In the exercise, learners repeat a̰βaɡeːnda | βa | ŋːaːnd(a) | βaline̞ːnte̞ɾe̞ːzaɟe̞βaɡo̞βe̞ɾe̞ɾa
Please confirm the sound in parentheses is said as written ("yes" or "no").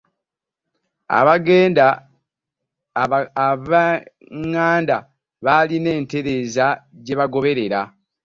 yes